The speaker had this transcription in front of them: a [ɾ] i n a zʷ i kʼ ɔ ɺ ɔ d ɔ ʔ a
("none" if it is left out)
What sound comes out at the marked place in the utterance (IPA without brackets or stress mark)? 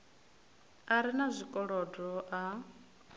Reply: ɾ